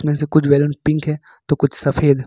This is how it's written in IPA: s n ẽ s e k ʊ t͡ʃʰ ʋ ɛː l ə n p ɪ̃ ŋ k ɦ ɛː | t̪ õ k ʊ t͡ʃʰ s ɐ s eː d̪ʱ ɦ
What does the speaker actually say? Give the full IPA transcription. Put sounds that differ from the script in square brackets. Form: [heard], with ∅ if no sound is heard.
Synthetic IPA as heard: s [m] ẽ s e k ʊ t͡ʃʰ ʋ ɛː l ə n p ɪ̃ ŋ k ɦ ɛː | t̪ [o] k ʊ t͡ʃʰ s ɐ [f] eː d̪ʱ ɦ